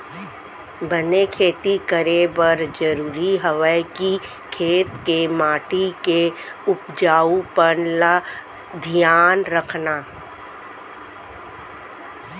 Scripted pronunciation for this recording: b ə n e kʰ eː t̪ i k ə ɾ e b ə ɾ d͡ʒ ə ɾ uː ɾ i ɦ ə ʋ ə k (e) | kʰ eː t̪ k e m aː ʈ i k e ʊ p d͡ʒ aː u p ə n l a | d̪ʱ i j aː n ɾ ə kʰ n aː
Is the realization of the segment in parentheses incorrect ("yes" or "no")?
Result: yes